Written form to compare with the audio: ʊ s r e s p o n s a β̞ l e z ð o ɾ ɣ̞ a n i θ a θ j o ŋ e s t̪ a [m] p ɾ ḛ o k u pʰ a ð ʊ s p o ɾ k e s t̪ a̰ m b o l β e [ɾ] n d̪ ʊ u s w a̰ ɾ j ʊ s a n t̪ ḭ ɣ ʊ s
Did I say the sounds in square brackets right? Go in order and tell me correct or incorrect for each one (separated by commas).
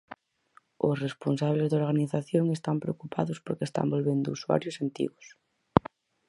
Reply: correct, incorrect